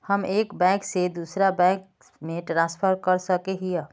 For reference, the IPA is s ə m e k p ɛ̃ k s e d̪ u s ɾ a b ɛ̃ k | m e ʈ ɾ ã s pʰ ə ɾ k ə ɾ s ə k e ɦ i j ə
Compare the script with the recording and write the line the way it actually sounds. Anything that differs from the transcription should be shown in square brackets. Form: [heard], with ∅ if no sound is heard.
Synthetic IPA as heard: [h] ə m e k [b] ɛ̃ k s e d̪ u s ɾ a b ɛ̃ k | m e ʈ ɾ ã s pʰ ə ɾ k ə ɾ s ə k e ɦ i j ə